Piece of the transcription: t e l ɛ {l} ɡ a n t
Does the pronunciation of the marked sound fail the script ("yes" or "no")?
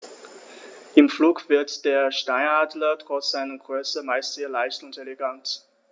yes